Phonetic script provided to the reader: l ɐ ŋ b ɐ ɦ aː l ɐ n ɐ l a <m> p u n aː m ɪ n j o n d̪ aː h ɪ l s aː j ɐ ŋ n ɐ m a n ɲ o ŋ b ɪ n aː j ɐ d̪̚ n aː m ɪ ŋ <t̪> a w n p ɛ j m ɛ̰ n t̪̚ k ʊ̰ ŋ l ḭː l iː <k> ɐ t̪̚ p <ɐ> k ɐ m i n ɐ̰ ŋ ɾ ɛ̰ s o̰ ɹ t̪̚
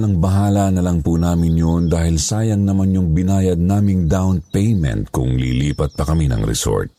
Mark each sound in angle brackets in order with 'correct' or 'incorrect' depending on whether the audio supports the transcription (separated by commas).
incorrect, incorrect, incorrect, correct